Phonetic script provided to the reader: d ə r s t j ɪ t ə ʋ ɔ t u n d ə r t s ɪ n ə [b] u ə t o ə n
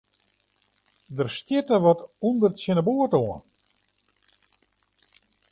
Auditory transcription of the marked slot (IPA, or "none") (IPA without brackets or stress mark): b